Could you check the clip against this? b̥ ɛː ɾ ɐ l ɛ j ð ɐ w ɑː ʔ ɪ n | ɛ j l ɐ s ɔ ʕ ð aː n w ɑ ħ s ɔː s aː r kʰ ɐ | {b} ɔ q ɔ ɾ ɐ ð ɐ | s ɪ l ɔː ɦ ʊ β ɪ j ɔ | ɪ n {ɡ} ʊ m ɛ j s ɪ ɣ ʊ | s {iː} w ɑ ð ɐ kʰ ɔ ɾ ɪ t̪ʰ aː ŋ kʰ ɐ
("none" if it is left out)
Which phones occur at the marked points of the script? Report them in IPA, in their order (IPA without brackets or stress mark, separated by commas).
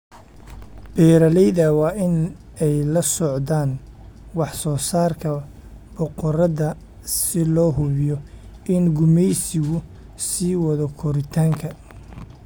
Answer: b, ɡ, iː